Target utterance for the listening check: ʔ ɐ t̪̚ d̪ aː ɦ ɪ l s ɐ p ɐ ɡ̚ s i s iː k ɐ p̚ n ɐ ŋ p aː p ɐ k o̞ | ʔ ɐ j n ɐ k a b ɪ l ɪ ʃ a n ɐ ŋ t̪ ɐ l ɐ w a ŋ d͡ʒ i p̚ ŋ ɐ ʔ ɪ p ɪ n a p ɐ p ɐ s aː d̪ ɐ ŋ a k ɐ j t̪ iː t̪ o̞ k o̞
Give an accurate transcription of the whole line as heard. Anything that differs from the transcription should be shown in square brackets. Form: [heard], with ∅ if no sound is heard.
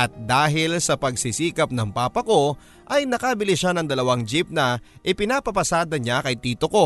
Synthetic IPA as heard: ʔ ɐ t̪̚ d̪ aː ɦ ɪ l s ɐ p ɐ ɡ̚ s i s iː k ɐ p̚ n ɐ ŋ p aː p ɐ k o̞ | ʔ ɐ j n ɐ k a b ɪ l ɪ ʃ a n ɐ ŋ [d̪] ɐ l ɐ w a ŋ d͡ʒ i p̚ [n] ɐ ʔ ɪ p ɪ n a p ɐ p ɐ s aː d̪ ɐ [ɲ] a k ɐ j t̪ iː t̪ o̞ k o̞